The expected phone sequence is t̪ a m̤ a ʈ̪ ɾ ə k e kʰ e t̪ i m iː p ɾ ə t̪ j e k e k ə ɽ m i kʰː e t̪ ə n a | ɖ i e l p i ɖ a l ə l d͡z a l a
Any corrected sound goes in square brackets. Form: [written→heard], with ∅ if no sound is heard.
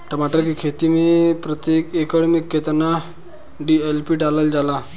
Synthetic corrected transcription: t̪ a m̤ a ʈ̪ ɾ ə k [e→i] kʰ e t̪ i m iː p ɾ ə t̪ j e k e k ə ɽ m i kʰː e t̪ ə n a | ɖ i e l p i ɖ a l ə l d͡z a l a